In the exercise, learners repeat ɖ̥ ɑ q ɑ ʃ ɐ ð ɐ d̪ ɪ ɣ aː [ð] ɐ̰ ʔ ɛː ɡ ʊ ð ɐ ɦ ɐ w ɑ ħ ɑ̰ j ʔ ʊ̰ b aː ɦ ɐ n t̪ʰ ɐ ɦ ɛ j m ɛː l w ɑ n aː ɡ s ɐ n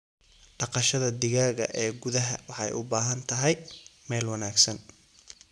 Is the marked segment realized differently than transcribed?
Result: yes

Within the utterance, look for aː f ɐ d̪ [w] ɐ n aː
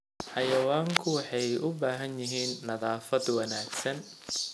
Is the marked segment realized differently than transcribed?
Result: no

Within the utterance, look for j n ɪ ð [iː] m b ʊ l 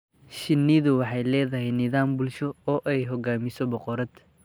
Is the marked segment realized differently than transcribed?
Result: yes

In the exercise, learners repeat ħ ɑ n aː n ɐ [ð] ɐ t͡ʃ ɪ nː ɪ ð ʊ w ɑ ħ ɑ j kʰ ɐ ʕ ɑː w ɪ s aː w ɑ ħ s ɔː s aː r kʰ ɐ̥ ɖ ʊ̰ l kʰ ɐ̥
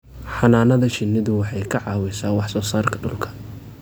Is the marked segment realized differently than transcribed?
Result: no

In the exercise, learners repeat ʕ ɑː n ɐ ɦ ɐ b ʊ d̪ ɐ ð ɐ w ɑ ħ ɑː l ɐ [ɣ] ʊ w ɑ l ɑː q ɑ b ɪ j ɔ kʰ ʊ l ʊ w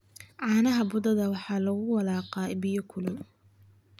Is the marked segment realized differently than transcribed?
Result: no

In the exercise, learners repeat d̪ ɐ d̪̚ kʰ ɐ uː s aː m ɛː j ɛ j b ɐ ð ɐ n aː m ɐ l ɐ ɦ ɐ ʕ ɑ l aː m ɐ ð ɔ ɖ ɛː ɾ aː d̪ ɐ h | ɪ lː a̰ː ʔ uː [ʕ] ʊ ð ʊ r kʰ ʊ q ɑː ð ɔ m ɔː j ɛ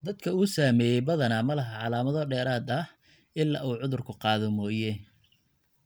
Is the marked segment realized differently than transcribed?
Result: no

